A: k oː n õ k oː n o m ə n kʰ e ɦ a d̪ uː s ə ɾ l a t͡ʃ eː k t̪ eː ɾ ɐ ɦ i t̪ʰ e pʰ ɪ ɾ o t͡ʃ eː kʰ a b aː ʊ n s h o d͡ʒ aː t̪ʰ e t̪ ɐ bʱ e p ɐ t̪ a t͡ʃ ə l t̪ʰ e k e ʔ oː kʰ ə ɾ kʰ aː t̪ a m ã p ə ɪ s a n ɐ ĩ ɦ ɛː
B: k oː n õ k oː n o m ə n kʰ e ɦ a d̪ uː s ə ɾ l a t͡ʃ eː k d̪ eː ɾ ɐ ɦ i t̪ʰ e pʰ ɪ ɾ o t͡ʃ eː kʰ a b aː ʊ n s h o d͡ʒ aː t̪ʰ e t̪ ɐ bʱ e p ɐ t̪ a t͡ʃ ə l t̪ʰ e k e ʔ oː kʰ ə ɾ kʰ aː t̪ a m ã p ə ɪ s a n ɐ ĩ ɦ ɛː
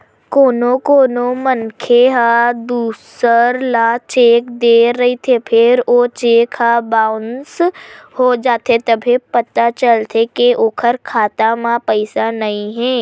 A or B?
B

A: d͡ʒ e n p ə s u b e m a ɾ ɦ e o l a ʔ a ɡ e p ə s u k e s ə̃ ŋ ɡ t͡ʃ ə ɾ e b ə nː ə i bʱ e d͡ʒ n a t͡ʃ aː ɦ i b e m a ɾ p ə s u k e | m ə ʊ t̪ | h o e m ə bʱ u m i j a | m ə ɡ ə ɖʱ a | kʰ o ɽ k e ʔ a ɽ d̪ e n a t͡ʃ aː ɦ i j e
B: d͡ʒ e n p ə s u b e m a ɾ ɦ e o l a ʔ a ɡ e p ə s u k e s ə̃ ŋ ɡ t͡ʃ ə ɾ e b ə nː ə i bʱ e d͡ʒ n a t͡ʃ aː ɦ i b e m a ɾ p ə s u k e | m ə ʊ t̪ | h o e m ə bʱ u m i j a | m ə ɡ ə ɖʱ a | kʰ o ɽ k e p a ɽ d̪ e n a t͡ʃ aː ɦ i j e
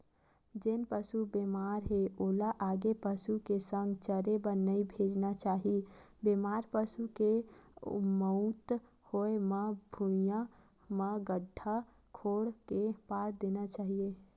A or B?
B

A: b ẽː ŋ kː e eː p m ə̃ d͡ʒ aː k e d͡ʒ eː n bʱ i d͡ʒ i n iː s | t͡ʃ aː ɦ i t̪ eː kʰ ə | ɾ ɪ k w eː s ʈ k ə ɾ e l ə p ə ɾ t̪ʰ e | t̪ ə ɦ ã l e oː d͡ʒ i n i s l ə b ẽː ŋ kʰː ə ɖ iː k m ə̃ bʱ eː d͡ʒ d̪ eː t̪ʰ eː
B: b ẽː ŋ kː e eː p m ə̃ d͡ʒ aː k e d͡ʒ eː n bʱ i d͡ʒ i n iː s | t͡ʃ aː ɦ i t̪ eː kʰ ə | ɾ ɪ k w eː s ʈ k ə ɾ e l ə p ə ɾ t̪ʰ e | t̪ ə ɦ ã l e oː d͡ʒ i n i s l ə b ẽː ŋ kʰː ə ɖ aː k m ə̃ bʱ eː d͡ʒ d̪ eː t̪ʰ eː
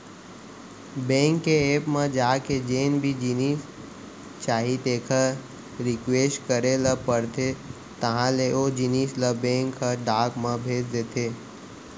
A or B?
B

